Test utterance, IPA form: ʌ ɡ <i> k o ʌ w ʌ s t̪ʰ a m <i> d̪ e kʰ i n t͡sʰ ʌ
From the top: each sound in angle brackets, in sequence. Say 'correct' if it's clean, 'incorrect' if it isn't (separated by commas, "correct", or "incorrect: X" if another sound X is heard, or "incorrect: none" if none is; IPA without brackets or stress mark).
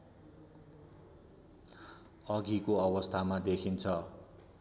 correct, incorrect: a